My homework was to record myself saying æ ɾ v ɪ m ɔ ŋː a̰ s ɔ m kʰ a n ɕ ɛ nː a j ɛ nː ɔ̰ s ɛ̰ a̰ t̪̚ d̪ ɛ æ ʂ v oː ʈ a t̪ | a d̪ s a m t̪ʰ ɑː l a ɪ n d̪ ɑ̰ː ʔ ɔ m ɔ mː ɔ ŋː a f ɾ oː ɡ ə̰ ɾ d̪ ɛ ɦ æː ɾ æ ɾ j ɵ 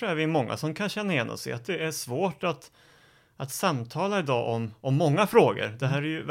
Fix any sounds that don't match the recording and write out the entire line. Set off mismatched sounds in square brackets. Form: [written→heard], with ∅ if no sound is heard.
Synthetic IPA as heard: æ ɾ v ɪ m ɔ ŋː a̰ s ɔ m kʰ a n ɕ ɛ nː a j ɛ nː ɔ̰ s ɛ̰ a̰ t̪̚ d̪ ɛ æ ʂ v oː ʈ a t̪ | a [d̪→t̪] s a m t̪ʰ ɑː l a ɪ [n→∅] d̪ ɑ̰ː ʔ ɔ m ɔ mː ɔ ŋː a f ɾ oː ɡ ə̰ ɾ d̪ ɛ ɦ æː ɾ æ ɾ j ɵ